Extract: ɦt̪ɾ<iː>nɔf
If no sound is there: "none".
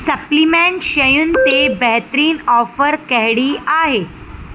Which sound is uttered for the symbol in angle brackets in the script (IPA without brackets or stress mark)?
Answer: iː